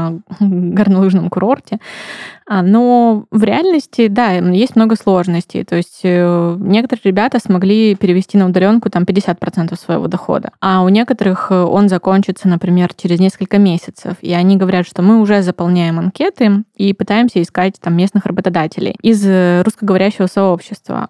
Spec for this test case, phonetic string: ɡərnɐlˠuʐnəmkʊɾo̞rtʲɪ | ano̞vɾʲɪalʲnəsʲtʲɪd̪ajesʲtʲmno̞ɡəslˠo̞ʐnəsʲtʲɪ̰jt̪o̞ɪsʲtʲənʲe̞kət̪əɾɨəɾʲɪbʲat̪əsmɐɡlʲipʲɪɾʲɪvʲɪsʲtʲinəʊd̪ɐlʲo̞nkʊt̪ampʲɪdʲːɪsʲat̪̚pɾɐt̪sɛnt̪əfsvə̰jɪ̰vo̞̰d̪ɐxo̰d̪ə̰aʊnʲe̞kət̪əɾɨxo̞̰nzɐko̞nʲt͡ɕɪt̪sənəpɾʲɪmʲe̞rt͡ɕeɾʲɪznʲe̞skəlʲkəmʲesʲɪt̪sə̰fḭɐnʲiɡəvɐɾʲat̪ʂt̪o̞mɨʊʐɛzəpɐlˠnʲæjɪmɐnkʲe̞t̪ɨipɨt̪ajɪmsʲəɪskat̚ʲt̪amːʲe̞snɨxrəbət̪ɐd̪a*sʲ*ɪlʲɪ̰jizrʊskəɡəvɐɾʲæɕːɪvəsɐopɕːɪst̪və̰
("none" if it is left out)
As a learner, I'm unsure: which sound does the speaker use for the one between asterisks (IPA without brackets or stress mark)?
tʲ